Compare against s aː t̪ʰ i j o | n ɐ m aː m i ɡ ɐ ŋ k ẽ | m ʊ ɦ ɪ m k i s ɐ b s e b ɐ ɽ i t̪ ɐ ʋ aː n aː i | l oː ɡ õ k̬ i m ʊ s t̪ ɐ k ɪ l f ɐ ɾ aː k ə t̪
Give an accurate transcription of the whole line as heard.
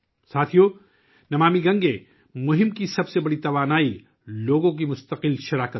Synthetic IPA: s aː t̪ʰ i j o | n ɐ m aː m i ɡ ɐ̃ ŋ ɡ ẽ | m ʊ ɦ ɪ m k i s ɐ b s e b ɐ ɽ i t̪ ɐ ʋ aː n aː i | l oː ɡ õ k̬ i m ʊ s t̪ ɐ q ɪ l ʃ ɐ ɾ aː k ə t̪